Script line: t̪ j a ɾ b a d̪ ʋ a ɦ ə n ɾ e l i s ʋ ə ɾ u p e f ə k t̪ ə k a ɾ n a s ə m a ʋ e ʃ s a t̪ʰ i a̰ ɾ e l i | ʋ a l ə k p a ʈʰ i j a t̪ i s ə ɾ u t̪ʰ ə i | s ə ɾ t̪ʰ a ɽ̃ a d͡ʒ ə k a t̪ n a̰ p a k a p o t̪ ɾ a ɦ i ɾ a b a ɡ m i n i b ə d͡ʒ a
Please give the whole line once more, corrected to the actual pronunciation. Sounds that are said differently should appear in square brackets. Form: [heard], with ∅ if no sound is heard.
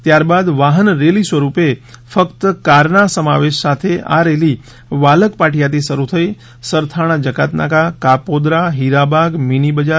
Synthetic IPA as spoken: t̪ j a ɾ b a d̪ ʋ a ɦ ə n ɾ e l i s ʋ ə ɾ u p e f ə k t̪ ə k a ɾ n a s ə m a ʋ e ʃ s a t̪ʰ [e] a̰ ɾ e l i | ʋ a l ə k p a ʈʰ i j a t̪ i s ə ɾ u t̪ʰ ə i | s ə ɾ t̪ʰ a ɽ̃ a d͡ʒ ə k a t̪ n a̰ [k] a k a p o [d̪] ɾ a ɦ i ɾ a b a ɡ m i n i b ə d͡ʒ a